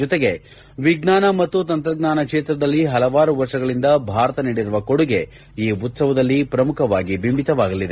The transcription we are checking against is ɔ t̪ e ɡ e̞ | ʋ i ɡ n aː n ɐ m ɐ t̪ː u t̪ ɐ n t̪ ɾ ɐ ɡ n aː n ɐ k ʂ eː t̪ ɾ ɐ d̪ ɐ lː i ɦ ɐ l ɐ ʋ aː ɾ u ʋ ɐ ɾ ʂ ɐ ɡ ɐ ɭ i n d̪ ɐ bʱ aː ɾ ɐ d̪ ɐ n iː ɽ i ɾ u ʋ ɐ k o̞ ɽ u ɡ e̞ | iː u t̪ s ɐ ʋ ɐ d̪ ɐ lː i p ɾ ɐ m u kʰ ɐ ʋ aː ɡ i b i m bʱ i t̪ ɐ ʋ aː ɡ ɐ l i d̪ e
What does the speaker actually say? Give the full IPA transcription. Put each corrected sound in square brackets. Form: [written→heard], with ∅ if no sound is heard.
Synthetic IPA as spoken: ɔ t̪ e ɡ e̞ | ʋ i ɡ n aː n ɐ m ɐ t̪ː u t̪ ɐ n t̪ ɾ ɐ ɡ n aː n ɐ k ʂ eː t̪ ɾ ɐ d̪ ɐ lː i ɦ ɐ l ɐ ʋ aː ɾ u ʋ ɐ ɾ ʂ ɐ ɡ ɐ ɭ i n d̪ ɐ bʱ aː ɾ ɐ [d̪→t̪] ɐ n iː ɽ i ɾ u ʋ ɐ k o̞ ɽ u ɡ e̞ | iː u t̪ s ɐ ʋ ɐ d̪ ɐ lː i p ɾ ɐ m u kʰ ɐ ʋ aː ɡ i b i m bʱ i t̪ ɐ ʋ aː ɡ ɐ l i d̪ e